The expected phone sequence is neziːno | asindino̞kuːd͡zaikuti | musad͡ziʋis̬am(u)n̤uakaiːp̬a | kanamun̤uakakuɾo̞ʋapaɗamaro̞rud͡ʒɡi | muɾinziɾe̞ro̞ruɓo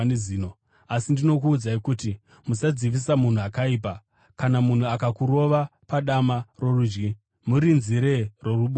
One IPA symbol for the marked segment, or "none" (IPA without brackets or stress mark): u